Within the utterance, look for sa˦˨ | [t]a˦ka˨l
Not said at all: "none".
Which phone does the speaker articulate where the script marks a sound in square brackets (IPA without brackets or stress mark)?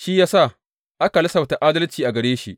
ʔ